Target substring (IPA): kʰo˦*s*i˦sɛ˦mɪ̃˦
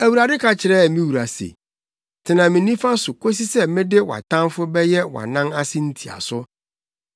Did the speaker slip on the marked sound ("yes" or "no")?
no